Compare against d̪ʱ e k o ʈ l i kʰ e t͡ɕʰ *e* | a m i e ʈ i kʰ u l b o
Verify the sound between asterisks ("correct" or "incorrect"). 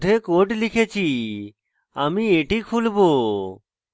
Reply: incorrect